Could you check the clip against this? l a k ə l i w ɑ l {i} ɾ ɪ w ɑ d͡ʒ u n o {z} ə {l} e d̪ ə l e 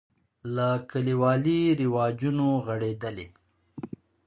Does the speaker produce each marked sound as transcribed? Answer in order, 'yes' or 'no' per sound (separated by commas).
yes, no, no